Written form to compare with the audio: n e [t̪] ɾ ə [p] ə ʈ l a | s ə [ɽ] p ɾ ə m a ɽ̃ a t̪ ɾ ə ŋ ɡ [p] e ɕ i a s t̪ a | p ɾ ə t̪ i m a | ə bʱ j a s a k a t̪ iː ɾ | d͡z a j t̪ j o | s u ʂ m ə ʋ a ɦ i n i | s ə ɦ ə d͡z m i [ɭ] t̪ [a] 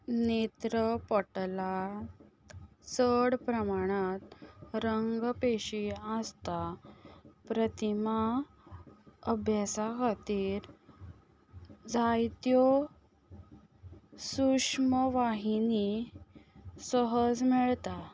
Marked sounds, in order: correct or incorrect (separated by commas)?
correct, correct, correct, correct, correct, correct